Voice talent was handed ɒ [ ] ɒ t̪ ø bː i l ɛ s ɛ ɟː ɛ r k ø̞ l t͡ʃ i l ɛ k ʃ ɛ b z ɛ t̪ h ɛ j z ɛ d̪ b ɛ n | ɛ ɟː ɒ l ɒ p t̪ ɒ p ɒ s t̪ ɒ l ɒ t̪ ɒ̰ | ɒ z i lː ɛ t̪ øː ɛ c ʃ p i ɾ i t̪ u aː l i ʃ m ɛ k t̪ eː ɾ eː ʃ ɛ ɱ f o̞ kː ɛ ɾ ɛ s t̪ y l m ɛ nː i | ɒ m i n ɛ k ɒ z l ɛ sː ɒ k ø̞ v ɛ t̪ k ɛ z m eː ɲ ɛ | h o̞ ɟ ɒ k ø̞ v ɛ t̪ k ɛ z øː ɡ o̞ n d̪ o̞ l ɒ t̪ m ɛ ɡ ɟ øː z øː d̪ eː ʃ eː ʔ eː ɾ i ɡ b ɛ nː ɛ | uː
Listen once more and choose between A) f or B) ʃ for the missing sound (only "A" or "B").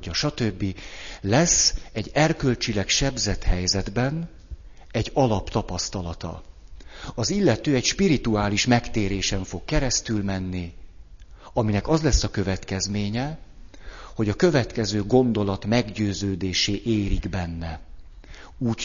B